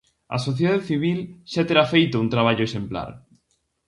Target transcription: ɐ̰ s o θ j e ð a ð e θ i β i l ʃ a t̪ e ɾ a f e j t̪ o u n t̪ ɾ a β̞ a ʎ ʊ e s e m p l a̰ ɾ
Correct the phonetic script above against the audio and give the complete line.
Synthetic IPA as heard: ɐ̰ s o θ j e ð a ð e θ i β i l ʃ a t̪ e ɾ a f e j t̪ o u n t̪ ɾ a β̞ a ʎ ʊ e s e m p l a̰ ɾ